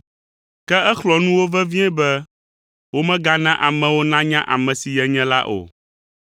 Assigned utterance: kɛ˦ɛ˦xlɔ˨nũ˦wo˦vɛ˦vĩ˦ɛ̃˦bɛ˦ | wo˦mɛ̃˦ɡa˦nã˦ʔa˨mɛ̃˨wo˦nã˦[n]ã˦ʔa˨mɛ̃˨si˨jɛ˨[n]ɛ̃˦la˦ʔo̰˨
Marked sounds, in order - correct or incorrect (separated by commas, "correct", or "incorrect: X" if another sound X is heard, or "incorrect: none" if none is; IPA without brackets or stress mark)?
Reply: incorrect: ɲ, incorrect: ɲ